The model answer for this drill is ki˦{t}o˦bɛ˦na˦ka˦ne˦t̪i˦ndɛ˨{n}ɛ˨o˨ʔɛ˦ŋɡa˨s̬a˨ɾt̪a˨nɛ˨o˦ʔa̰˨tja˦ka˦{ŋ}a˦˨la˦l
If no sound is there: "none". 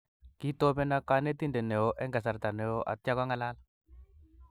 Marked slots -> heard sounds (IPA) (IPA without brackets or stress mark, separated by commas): t, n, ŋ